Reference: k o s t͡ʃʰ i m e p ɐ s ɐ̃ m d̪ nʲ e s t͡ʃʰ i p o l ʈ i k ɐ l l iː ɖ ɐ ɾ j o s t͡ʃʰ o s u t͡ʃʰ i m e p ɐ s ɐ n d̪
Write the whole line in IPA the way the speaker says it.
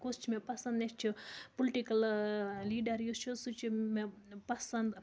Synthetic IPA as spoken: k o s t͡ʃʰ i m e p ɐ s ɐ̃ n d̪ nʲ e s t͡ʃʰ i p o l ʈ i k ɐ l l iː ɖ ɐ ɾ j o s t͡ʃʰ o s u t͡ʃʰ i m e p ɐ s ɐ n d̪